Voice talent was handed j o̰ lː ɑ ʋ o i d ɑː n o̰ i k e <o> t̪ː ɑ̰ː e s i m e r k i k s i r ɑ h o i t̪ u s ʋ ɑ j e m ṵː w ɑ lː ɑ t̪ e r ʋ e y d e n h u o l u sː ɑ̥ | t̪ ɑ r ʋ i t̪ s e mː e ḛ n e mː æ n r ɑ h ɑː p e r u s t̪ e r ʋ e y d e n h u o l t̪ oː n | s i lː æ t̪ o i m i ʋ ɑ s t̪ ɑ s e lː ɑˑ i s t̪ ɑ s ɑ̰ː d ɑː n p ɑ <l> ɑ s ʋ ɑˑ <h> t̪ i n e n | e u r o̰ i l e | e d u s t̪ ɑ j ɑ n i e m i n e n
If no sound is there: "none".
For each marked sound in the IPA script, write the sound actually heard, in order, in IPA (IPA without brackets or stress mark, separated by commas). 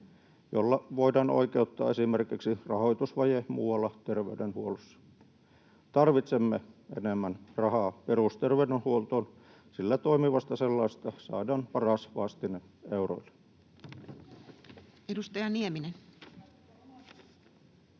u, r, s